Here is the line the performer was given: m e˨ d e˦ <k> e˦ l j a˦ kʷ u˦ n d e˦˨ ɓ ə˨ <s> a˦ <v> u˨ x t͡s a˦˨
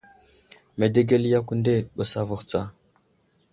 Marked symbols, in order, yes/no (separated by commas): no, yes, yes